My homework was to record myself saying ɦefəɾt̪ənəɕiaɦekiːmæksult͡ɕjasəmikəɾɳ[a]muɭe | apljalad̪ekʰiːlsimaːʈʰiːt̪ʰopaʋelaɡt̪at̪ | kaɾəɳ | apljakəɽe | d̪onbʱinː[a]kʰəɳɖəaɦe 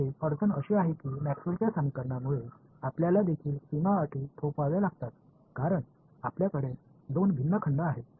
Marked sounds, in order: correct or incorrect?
correct, incorrect

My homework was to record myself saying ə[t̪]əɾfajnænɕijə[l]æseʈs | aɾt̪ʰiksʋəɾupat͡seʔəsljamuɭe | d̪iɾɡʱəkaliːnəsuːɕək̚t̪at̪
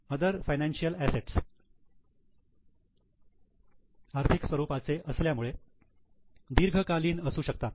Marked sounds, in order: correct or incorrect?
incorrect, correct

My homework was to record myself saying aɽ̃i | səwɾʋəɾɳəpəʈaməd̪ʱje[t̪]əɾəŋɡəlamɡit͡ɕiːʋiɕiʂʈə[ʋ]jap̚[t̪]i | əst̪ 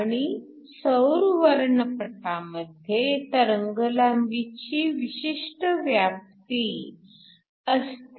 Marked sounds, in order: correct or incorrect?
correct, correct, correct

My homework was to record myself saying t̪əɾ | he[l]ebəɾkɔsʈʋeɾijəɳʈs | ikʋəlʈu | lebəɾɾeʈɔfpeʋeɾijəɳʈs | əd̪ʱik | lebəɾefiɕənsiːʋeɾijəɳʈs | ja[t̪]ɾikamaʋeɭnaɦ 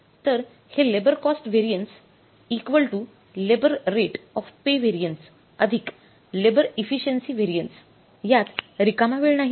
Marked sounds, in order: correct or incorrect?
correct, correct

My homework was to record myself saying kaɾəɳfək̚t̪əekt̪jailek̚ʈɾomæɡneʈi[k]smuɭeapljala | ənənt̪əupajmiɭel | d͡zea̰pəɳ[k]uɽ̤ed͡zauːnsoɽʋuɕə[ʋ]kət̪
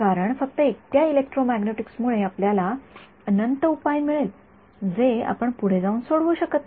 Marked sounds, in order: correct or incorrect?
correct, incorrect, incorrect

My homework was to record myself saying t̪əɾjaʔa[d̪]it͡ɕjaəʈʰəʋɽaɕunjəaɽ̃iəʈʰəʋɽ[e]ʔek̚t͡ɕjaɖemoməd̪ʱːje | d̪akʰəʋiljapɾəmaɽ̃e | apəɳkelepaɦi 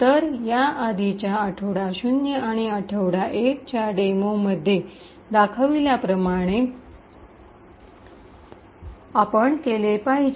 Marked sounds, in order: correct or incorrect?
correct, incorrect

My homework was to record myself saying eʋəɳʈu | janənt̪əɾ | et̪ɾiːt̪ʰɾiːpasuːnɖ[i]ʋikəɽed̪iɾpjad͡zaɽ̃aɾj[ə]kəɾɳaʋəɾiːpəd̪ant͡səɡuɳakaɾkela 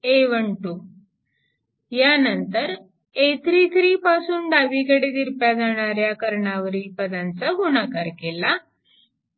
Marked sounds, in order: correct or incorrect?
incorrect, incorrect

